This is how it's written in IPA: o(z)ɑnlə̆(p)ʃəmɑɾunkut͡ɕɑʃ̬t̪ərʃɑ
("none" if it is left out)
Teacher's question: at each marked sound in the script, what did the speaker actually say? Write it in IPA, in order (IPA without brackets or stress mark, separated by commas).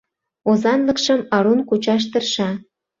z, k